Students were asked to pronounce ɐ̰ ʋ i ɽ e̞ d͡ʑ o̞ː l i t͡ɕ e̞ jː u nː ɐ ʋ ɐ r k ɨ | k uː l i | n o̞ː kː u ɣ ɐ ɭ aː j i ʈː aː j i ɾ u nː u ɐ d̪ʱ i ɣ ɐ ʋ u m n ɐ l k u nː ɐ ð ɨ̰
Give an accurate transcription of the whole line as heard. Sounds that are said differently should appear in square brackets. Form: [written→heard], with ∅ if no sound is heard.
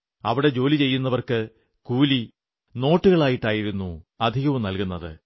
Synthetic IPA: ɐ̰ ʋ i ɽ e̞ d͡ʑ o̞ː l i t͡ɕ e̞ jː u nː ɐ ʋ ɐ r k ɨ | k uː l i | n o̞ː [kː→ʈː] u ɣ ɐ ɭ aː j i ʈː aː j i ɾ u nː u ɐ d̪ʱ i ɣ ɐ ʋ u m n ɐ l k u nː ɐ ð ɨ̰